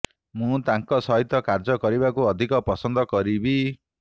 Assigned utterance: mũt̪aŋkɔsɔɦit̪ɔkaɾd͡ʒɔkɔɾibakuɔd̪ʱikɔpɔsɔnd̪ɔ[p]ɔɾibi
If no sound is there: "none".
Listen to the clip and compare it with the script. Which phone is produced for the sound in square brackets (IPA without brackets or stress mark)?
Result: k